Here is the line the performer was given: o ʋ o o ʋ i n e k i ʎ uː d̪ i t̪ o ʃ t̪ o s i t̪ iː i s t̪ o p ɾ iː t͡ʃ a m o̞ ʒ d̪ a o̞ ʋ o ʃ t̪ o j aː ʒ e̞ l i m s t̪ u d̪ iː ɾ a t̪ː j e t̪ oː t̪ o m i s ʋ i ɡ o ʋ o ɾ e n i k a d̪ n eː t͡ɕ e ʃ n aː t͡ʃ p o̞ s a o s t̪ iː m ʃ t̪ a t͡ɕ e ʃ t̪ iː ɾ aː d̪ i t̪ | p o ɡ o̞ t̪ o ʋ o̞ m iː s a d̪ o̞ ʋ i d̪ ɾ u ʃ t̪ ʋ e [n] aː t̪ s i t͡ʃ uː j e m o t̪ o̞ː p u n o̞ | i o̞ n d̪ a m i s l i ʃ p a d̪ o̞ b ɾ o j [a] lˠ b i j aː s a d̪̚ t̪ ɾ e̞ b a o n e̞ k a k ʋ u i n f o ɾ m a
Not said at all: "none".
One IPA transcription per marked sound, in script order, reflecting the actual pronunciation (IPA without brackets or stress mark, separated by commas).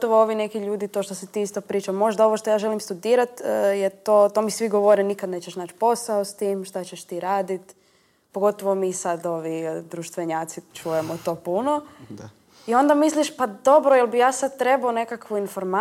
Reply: ɲ, e